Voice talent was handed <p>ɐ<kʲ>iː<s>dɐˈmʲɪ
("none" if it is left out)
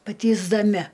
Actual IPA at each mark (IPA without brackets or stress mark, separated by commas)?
p, tʲ, z